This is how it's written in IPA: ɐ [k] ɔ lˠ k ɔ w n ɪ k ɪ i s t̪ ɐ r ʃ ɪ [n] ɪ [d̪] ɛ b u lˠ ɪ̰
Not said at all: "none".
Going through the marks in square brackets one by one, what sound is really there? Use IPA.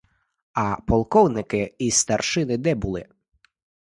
p, n, d̪

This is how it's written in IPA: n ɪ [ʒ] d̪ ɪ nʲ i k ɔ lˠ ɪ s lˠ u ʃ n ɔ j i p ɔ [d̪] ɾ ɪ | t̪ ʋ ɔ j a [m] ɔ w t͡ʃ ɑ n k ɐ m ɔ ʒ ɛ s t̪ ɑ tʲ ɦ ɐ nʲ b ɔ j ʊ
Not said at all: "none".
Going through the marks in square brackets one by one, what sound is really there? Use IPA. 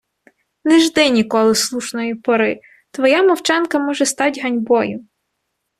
ʒ, none, m

